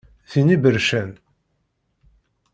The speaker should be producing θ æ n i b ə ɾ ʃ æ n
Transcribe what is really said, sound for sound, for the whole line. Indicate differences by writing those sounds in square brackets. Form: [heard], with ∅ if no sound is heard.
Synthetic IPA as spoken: θ [i] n i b ə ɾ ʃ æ n